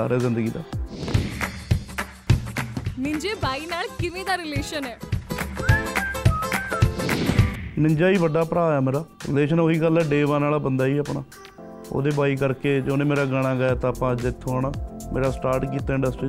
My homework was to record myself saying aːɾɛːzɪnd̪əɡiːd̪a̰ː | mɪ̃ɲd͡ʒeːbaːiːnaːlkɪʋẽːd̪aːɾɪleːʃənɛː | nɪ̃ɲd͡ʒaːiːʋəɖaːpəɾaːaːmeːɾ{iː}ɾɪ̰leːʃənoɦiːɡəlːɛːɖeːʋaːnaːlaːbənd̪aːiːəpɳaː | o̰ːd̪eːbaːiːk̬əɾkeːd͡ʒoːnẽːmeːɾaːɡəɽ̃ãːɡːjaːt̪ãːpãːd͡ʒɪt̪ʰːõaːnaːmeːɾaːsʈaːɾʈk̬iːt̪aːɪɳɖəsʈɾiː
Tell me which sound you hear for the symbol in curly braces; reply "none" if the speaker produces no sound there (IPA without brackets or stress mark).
aː